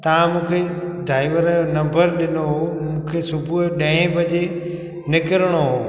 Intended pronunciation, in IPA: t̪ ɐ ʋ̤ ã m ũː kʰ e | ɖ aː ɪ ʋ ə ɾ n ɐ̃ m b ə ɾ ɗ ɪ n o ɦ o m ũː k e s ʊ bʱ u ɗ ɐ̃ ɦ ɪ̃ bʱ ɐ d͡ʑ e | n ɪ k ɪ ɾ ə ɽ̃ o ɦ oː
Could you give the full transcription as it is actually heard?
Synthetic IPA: t̪ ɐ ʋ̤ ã m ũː kʰ e | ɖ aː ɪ ʋ ə ɾ n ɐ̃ m b ə ɾ ɗ ɪ n o ɦ o m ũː kʰ e s ʊ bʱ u ɗ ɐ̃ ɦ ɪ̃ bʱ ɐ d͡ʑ e | n ɪ k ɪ ɾ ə ɽ̃ o ɦ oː